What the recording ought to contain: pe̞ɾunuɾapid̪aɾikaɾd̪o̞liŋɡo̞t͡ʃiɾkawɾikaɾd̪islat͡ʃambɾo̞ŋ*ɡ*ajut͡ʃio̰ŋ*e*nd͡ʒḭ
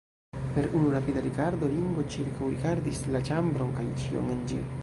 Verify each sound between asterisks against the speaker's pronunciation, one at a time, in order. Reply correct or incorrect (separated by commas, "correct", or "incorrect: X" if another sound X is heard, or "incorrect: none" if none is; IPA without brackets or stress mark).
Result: incorrect: k, correct